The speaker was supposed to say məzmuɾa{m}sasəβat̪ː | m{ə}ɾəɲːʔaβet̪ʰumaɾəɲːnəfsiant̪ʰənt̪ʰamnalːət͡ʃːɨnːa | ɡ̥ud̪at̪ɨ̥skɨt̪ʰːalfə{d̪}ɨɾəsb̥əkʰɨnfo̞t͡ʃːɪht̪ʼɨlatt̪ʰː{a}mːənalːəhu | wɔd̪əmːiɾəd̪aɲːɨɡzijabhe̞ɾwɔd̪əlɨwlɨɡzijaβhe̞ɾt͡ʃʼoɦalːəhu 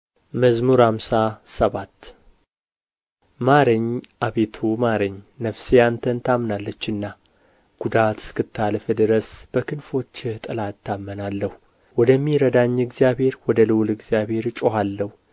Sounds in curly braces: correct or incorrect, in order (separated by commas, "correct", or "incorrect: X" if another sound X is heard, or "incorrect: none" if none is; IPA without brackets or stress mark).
correct, incorrect: a, correct, correct